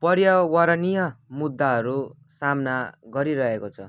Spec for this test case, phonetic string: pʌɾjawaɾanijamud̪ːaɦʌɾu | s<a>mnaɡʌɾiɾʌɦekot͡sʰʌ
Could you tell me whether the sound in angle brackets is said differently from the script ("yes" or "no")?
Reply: no